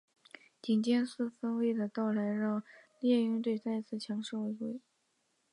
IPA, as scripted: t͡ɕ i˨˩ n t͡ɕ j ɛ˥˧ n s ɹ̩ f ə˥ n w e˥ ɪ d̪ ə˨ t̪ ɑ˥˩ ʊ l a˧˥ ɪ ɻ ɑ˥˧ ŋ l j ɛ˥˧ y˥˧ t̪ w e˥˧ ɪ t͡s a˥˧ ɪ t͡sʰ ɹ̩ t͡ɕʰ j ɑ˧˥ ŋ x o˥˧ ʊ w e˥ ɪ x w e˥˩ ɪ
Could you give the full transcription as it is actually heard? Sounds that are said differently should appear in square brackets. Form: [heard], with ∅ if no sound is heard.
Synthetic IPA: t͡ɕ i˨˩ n t͡ɕ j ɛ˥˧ n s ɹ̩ f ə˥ n w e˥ ɪ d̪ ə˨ t̪ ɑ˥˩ ʊ l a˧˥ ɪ ɻ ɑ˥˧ ŋ l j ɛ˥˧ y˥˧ t̪ w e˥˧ ɪ t͡s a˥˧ ɪ t͡sʰ ɹ̩ t͡ɕʰ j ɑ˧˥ ŋ [ʂ] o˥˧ ʊ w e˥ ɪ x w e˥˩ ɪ